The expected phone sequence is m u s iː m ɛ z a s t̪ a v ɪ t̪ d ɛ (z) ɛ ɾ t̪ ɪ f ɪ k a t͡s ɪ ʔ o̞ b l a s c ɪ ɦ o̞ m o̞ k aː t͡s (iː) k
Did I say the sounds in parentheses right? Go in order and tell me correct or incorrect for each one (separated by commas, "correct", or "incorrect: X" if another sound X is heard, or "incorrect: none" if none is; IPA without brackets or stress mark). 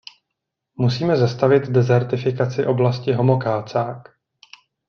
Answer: correct, incorrect: aː